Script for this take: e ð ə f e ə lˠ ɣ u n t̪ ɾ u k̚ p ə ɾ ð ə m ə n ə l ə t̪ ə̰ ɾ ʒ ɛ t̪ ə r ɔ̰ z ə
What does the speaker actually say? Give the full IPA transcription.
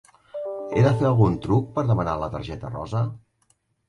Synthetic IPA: e ð ə f e ə lˠ ɣ u n t̪ ɾ u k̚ p ə ɾ ð ə m ə n a l ə t̪ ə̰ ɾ ʒ ɛ t̪ ə r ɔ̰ z ə